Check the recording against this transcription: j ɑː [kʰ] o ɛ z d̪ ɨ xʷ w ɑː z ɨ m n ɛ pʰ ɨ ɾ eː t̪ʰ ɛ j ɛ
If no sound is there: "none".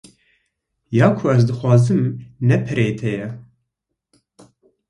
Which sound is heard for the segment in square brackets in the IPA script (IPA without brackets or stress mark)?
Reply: kʰ